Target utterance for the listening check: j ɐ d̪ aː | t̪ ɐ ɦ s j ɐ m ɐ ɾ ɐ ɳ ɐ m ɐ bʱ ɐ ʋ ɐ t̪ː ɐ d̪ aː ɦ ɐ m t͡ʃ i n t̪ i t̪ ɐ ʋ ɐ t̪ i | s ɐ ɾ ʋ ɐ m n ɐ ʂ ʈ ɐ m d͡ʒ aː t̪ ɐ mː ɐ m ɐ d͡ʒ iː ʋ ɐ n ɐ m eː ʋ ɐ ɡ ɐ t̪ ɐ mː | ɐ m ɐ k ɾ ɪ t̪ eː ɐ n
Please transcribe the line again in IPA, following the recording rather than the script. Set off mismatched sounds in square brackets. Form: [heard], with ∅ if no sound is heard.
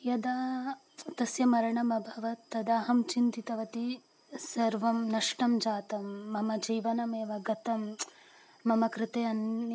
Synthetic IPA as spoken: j ɐ d̪ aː | t̪ ɐ [∅] s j ɐ m ɐ ɾ ɐ ɳ ɐ m ɐ bʱ ɐ ʋ ɐ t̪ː ɐ d̪ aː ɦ ɐ m t͡ʃ i n t̪ i t̪ ɐ ʋ ɐ t̪ i | s ɐ ɾ ʋ ɐ m n ɐ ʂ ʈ ɐ m d͡ʒ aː t̪ ɐ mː ɐ m ɐ d͡ʒ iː ʋ ɐ n ɐ m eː ʋ ɐ ɡ ɐ t̪ ɐ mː | ɐ m ɐ k ɾ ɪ t̪ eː ɐ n